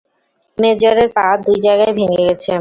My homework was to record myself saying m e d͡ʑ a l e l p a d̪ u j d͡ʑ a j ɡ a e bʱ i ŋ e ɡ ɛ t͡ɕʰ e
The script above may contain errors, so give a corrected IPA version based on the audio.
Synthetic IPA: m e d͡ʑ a ɾ e ɾ p a d̪ u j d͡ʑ a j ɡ a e bʱ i ŋ e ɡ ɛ t͡ɕʰ e